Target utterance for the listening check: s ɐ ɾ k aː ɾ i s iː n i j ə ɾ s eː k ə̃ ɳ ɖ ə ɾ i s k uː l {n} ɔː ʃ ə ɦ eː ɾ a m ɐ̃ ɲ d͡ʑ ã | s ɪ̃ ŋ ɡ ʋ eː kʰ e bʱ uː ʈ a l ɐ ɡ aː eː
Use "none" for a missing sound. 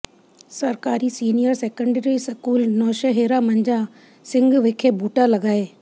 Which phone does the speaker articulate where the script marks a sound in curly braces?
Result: n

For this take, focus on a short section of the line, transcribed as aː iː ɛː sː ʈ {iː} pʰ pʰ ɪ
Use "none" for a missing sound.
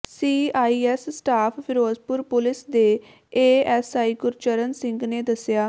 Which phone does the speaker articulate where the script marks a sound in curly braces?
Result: aː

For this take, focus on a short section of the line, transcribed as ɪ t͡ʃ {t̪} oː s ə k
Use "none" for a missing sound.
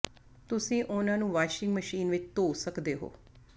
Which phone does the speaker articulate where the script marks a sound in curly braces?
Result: t̪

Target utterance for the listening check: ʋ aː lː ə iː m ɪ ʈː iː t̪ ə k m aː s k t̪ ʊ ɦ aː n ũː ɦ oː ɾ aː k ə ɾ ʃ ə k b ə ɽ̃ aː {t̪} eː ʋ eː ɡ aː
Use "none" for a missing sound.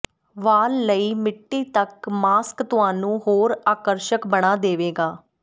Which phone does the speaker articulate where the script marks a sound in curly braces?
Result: d̪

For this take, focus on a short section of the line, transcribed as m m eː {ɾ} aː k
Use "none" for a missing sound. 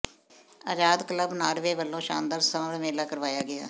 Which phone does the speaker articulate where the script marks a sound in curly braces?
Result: l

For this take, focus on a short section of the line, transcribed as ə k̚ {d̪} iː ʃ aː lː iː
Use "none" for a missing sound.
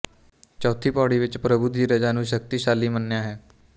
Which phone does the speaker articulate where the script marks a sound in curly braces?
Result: t̪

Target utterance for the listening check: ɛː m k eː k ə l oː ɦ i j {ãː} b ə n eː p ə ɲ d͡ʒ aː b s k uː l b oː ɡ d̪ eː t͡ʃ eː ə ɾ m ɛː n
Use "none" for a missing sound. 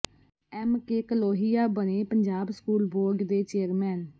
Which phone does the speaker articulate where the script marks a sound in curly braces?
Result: aː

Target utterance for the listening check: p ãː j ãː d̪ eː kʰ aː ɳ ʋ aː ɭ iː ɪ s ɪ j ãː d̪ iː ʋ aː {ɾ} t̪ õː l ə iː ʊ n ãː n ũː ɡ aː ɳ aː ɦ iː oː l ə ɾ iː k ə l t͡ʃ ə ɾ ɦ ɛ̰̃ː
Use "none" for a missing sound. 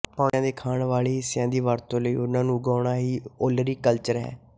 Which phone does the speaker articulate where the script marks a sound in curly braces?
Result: ɾ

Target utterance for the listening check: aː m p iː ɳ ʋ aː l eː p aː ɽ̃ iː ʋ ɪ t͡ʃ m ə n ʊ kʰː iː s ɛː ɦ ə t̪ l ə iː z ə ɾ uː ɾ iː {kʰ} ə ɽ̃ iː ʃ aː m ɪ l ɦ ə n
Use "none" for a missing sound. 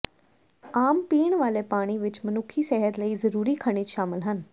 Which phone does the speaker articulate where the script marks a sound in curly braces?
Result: kʰ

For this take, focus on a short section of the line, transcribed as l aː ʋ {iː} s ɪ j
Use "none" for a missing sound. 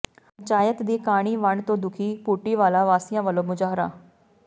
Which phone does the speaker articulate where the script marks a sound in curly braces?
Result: aː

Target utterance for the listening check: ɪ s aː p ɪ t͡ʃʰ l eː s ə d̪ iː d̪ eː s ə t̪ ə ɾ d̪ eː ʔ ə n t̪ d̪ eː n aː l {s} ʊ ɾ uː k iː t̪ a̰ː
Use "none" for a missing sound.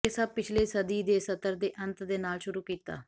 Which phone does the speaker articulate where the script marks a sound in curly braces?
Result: ʃ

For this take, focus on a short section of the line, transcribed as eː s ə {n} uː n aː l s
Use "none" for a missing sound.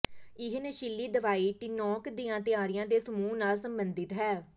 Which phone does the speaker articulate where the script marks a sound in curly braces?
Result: m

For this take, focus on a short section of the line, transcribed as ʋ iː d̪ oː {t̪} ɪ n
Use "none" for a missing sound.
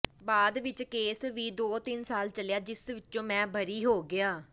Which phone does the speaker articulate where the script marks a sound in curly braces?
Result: t̪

